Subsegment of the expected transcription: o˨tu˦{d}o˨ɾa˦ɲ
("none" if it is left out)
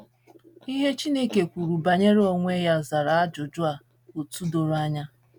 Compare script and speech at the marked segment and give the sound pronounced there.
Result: d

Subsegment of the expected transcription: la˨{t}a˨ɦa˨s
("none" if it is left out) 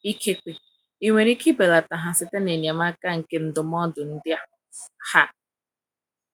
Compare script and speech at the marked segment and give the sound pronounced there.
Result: t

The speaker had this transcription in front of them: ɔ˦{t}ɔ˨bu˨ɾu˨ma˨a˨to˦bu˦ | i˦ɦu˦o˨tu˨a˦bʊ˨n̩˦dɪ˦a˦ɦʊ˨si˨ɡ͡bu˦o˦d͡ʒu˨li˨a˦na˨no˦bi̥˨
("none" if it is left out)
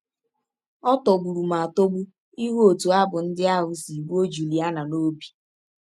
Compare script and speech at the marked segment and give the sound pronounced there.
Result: t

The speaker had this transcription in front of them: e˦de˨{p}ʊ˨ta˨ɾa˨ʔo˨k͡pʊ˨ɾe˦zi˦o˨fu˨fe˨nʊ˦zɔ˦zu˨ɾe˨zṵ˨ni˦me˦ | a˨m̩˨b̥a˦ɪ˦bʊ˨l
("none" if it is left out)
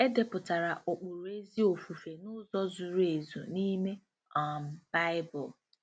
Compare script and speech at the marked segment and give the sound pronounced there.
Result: p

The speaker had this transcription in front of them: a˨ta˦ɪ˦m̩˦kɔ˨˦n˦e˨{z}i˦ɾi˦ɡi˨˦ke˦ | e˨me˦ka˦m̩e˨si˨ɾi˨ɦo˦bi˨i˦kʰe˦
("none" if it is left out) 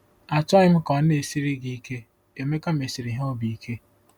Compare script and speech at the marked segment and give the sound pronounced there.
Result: s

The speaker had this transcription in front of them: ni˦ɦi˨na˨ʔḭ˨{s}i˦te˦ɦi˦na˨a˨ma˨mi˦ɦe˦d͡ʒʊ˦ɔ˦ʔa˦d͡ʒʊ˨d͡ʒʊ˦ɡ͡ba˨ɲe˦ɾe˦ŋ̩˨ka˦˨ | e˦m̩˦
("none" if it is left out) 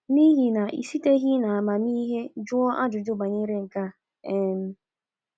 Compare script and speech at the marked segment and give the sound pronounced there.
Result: s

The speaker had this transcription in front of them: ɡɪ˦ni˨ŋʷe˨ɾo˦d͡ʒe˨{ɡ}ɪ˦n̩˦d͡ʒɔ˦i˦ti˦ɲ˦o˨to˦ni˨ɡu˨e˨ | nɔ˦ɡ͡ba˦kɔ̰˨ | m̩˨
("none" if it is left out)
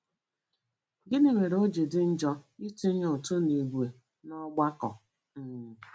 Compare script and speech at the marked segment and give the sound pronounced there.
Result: d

